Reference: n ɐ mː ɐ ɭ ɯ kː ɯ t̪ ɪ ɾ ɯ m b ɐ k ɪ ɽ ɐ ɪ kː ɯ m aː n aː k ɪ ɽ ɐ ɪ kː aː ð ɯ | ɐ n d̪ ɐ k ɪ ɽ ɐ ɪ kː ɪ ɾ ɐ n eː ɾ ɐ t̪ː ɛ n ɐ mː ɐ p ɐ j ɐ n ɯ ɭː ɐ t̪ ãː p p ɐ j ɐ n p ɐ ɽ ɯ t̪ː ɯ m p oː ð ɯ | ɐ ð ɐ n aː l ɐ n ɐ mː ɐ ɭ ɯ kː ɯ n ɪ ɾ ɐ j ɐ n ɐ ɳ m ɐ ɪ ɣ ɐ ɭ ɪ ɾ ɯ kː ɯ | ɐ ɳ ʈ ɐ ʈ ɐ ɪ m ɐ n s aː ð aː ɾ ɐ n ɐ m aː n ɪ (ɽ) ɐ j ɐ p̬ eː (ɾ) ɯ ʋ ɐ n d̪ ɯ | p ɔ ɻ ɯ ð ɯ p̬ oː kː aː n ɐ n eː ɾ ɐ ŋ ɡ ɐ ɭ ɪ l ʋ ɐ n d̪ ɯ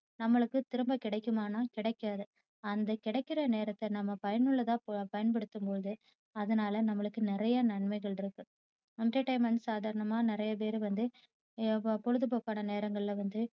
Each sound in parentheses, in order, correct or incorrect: incorrect: ɾ, correct

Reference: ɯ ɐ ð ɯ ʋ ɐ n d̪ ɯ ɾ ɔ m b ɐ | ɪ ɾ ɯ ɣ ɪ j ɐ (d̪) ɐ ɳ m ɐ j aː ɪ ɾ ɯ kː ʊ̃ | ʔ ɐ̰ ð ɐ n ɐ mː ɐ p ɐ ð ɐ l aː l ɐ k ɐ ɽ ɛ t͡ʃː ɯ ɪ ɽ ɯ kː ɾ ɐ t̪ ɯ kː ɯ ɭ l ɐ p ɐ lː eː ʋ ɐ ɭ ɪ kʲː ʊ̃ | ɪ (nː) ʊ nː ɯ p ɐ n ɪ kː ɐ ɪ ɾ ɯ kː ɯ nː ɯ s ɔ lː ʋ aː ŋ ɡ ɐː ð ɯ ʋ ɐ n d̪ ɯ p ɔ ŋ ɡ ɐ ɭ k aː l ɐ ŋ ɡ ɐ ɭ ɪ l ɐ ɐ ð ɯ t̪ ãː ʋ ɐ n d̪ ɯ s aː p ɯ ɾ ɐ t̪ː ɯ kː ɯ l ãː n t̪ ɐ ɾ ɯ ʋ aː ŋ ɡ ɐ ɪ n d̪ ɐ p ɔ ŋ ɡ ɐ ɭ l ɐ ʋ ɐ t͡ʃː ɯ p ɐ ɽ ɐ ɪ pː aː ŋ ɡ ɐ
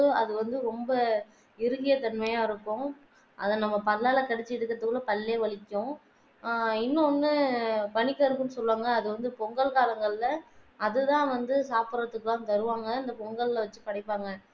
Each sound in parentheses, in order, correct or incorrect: incorrect: t̪, correct

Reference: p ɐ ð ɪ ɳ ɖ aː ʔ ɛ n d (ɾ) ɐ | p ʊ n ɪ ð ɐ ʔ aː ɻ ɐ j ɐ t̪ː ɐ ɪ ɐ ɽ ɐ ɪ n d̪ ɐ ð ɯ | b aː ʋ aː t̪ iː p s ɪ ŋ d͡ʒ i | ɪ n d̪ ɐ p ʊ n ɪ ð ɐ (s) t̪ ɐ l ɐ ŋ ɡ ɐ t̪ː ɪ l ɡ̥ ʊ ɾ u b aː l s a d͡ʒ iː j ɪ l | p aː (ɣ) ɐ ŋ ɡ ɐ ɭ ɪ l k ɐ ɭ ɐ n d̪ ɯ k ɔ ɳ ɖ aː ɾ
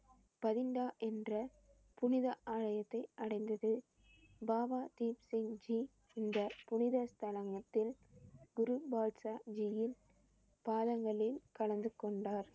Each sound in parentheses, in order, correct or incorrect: incorrect: r, correct, incorrect: ð

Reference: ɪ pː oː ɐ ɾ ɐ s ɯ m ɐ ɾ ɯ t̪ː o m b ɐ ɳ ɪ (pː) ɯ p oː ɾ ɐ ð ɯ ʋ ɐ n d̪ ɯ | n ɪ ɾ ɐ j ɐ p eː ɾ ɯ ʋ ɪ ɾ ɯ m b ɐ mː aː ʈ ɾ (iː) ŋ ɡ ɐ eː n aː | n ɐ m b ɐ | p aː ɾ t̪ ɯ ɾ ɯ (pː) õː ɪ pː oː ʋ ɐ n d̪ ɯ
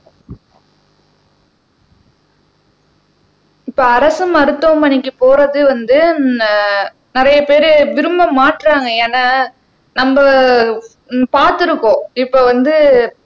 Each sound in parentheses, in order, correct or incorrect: incorrect: kː, incorrect: aː, incorrect: kː

